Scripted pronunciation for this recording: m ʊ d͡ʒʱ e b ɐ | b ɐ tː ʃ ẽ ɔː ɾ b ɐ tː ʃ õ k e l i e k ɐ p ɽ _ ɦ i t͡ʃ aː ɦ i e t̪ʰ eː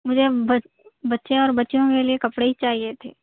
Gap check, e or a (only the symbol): e